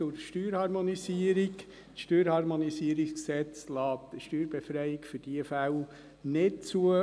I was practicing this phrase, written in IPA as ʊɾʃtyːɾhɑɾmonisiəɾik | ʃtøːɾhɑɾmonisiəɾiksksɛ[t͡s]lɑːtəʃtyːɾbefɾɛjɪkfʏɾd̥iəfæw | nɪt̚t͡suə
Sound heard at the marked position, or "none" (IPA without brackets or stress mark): t͡s